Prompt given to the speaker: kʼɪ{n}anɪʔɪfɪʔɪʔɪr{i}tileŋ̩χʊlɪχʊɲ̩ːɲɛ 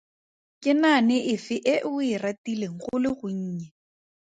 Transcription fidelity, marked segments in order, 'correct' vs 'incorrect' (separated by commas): correct, incorrect